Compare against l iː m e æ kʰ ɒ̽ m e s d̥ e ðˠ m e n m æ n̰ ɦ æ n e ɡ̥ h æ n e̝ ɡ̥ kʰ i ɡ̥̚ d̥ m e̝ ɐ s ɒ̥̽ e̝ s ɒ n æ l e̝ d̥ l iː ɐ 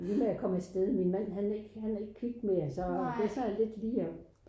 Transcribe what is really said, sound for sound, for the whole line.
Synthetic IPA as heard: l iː m e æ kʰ ɒ̽ m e s d̥ e ðˠ m i n m æ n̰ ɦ æ n e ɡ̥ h æ n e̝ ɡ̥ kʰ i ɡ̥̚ d̥ m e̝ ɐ s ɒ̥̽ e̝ s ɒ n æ l e̝ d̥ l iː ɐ